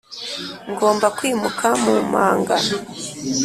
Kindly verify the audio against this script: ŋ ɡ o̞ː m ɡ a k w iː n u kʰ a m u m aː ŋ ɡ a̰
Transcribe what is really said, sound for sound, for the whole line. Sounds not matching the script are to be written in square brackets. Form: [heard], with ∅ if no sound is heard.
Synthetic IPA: ŋ ɡ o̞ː m [b] a k w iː [m] u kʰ a m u m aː ŋ ɡ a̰